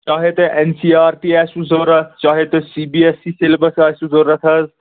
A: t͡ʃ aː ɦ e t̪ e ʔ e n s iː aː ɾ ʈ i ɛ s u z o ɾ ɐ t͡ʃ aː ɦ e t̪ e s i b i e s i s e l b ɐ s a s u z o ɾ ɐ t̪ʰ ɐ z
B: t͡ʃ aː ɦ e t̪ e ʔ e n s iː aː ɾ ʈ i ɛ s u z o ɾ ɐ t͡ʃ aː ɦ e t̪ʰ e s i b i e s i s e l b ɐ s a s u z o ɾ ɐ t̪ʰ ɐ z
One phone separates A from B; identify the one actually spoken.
A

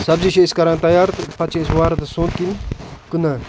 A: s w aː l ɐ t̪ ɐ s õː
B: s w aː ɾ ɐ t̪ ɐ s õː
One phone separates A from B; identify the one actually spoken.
B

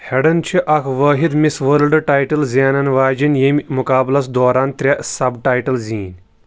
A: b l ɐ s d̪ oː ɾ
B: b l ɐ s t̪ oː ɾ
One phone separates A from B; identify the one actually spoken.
A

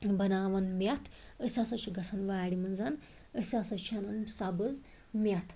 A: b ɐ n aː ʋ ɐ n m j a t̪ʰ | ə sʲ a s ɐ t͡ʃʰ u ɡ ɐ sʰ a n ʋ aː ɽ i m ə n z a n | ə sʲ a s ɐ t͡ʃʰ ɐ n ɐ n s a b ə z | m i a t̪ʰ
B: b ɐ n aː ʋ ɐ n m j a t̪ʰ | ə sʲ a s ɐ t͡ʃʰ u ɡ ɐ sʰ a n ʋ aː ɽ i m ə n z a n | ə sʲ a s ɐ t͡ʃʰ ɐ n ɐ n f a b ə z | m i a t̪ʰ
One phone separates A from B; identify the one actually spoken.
A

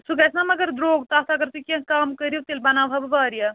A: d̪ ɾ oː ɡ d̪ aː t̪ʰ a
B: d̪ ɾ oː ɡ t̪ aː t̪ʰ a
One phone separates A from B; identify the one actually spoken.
B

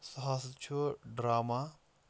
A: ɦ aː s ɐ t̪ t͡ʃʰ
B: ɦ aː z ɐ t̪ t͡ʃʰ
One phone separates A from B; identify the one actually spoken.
A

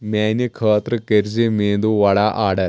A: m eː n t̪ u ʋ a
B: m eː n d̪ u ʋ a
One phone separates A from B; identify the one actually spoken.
B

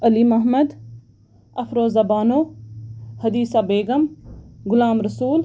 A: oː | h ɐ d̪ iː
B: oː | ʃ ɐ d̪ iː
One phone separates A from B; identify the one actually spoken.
A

